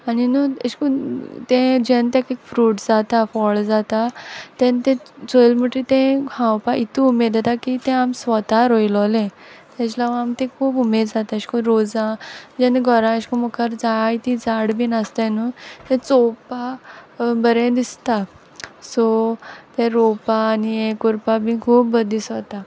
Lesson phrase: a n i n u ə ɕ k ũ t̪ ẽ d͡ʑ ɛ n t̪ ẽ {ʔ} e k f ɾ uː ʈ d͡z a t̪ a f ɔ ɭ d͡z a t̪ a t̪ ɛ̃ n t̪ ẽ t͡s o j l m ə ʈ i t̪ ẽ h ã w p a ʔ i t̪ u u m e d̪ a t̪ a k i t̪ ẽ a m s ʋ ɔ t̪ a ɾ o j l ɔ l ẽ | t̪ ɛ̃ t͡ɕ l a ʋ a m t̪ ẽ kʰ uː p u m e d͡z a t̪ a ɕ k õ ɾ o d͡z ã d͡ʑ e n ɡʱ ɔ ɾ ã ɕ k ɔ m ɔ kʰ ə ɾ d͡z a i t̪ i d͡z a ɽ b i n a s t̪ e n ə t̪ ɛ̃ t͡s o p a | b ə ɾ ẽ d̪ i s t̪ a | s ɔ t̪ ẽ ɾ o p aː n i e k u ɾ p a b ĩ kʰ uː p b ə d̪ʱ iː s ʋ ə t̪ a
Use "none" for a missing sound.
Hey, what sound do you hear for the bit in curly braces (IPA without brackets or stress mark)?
k